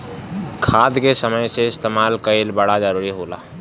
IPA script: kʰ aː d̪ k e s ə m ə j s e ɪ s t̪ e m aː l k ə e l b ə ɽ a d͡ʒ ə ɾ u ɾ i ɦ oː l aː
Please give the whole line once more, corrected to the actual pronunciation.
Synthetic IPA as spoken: kʰ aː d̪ k e s ə m ə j s e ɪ s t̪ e m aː l k ə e l b ə ɽ a d͡ʒ ə ɾ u ɾ i ɦ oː l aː

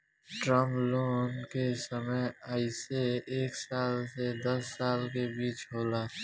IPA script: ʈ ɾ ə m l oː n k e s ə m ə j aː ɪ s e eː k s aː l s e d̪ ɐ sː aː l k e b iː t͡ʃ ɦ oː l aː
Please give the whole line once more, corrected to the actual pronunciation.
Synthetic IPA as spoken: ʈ ɾ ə m l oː n k e s ə m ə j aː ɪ s e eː k s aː l s e d̪ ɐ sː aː l k e b iː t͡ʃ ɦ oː l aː

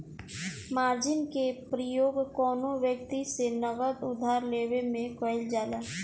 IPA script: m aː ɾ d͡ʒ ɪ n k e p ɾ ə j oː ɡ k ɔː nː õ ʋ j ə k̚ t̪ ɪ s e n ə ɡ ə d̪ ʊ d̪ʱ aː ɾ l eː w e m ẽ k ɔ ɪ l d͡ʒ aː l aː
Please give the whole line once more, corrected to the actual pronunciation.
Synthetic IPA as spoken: m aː ɾ d͡ʒ ɪ n k e p ɾ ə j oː ɡ k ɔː n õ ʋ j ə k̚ t̪ i s e n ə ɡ ə d̪ ʊ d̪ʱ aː ɾ l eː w e m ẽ k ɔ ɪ l d͡ʒ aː l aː

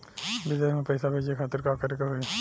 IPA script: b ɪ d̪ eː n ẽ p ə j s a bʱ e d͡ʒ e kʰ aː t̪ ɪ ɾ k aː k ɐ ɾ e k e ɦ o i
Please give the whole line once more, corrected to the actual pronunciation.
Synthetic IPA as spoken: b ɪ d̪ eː m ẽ p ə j s a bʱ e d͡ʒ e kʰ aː t̪ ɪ ɾ k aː k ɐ ɾ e k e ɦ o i

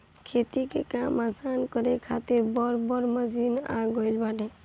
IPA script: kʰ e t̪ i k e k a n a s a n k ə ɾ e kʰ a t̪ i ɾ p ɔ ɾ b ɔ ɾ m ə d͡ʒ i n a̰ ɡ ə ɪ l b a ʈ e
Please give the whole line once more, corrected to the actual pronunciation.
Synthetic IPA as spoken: kʰ e t̪ i k e k a m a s a n k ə ɾ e kʰ a t̪ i ɾ b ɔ ɾ b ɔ ɾ m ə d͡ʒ i n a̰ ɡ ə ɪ l b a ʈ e

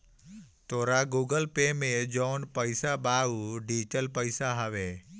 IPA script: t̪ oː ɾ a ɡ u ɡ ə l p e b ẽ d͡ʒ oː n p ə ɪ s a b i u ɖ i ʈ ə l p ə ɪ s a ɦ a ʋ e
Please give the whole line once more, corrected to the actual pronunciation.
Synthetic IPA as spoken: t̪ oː ɾ a ɡ u ɡ ə l p e m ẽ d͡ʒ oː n p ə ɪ s a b a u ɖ i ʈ ə l p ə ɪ s a ɦ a ʋ e

